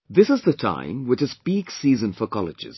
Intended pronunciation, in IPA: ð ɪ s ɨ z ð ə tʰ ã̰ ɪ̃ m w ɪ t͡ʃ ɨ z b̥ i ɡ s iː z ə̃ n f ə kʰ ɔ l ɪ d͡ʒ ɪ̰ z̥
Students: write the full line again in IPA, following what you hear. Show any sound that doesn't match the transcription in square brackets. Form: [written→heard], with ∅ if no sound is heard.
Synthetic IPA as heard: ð ɪ s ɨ z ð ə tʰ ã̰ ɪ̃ m w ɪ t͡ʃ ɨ z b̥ i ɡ s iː z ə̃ n f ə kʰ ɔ l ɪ d͡ʒ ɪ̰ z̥

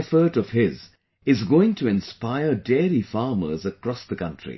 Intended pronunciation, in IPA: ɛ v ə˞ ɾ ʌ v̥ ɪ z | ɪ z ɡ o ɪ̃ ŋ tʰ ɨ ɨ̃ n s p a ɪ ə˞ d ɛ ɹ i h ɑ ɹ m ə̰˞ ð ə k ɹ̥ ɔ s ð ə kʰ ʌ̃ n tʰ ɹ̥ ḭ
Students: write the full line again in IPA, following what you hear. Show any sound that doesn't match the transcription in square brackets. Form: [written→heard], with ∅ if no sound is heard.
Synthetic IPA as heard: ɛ [v→f] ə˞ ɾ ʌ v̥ ɪ z | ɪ z ɡ o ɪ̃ ŋ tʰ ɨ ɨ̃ n s p a ɪ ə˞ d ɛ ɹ i [h→f] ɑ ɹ m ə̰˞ [ð→z] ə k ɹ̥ ɔ s ð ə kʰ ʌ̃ n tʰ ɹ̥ ḭ

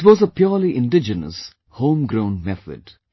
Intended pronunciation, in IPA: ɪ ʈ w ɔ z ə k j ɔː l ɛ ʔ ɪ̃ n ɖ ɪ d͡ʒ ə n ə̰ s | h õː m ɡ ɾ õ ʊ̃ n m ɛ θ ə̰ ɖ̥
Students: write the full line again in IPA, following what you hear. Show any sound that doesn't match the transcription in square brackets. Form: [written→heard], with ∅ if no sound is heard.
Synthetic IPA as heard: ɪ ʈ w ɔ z ə [k→p] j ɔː l [ɛ→i] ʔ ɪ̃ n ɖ ɪ d͡ʒ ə n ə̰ s | h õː m ɡ ɾ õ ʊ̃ n m ɛ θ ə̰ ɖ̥

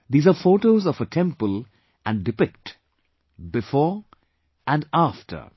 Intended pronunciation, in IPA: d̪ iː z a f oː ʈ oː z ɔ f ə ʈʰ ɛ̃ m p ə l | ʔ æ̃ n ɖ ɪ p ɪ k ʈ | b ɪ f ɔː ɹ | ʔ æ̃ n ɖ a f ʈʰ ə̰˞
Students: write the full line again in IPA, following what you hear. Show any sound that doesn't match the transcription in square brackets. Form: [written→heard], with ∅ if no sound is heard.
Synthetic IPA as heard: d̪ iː z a f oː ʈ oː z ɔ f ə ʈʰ ɛ̃ m p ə l | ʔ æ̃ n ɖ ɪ p ɪ k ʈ | b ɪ f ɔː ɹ | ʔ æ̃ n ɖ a f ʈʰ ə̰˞

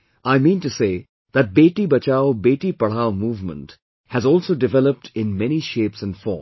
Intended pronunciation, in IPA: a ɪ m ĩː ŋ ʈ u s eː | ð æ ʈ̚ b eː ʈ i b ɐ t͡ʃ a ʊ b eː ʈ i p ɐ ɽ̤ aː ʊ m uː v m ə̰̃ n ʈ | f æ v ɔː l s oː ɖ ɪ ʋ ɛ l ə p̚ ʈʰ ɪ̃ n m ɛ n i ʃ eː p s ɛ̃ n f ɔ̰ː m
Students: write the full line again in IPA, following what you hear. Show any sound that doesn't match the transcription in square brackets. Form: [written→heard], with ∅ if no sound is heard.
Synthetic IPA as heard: a ɪ m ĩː [ŋ→n] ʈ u s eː | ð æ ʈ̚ b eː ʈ i b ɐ t͡ʃ a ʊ b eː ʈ i p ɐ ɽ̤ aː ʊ m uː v m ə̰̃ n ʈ | [f→h] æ [v→z] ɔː l s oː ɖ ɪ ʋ ɛ l ə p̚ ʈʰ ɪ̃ n m ɛ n i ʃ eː p s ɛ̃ n f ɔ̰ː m

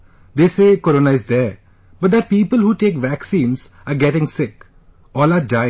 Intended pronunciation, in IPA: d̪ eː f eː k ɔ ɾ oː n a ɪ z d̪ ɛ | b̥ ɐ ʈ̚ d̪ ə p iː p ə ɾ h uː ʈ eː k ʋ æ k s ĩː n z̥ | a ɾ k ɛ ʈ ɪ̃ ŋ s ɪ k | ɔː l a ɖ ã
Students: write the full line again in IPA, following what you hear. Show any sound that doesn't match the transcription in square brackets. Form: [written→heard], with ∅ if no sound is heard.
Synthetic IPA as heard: d̪ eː [f→s] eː k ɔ ɾ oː n a ɪ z d̪ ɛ | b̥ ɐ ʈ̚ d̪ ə p iː p ə [ɾ→l] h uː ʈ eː k ʋ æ k s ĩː n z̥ | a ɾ [k→ɡ] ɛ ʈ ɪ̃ ŋ s ɪ k | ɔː l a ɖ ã

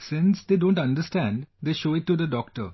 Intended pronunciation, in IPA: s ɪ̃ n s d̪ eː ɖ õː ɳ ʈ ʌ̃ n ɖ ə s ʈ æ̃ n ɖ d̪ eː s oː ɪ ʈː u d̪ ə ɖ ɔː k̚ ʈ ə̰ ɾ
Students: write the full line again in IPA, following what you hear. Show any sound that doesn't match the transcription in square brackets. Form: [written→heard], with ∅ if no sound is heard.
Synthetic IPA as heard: s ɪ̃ n s d̪ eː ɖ õː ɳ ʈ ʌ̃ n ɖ ə s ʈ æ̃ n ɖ d̪ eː [s→ʃ] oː ɪ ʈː u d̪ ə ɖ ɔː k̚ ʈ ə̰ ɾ

